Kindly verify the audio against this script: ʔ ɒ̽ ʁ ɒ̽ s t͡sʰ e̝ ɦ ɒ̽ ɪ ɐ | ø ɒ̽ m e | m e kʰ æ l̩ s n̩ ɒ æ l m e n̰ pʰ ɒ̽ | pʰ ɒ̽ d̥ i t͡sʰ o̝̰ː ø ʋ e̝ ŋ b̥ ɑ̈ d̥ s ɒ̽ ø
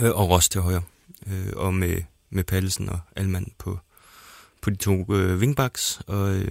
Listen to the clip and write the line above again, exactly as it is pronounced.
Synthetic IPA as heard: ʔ ɒ̽ ʁ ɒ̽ s t͡sʰ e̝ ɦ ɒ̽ ɪ ɐ | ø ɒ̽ m e | m e pʰ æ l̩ s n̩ ɒ æ l m æ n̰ pʰ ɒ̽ | pʰ ɒ̽ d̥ i t͡sʰ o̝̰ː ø ʋ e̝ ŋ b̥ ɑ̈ ɡ̥ s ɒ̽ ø